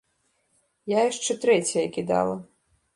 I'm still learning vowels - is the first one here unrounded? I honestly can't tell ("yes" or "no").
yes